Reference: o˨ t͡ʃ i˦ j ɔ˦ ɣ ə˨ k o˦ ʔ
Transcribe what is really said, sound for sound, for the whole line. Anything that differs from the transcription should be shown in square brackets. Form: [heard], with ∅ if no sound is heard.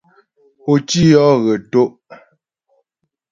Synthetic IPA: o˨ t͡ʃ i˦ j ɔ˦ ɣ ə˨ [t] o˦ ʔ